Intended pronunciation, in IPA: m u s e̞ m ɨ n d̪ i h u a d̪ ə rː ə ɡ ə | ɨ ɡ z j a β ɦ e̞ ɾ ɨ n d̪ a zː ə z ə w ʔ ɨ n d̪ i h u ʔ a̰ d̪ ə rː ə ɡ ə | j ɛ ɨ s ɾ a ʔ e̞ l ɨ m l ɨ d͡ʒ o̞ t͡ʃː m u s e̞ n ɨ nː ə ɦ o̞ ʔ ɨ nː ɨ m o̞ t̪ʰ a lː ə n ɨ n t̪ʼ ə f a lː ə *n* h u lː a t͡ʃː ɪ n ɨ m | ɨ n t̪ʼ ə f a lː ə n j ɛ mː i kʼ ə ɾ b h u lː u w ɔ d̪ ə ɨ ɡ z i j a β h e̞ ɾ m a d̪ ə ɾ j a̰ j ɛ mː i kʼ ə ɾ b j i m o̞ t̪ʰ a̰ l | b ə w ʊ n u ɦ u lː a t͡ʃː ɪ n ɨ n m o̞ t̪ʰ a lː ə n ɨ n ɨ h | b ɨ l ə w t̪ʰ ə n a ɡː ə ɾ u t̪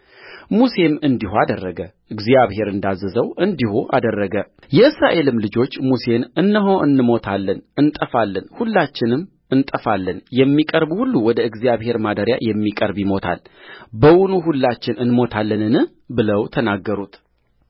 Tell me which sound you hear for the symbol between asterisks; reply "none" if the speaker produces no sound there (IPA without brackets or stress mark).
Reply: n